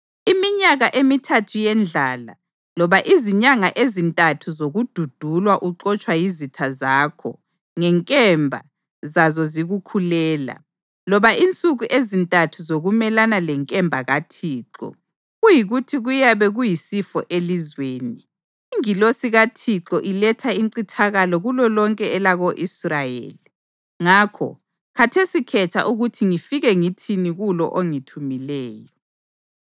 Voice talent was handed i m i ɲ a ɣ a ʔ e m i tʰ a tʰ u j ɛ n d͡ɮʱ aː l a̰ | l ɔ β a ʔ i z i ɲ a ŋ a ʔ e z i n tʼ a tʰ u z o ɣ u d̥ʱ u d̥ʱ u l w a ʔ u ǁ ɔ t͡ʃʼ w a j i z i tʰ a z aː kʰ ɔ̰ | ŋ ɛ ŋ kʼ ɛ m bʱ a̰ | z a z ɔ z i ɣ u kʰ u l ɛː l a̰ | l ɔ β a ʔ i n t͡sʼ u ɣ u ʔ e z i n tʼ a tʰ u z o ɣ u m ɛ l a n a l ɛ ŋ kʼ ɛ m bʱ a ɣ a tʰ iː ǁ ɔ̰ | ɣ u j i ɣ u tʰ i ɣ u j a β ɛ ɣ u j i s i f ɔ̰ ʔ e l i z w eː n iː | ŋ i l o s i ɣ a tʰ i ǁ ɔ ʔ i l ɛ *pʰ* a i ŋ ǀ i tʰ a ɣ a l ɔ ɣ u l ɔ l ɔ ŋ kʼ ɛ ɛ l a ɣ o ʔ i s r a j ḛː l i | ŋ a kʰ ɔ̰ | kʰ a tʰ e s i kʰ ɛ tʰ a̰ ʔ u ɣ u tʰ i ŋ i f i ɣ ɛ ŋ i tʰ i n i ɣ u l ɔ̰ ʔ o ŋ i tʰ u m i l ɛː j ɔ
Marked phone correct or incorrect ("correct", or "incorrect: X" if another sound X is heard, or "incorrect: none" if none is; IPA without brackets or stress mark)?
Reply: incorrect: tʰ